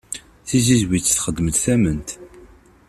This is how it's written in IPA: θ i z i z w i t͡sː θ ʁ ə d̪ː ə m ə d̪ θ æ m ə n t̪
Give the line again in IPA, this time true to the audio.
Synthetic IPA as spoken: θ i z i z w i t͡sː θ χ ə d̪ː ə m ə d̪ θ æ m ə n t̪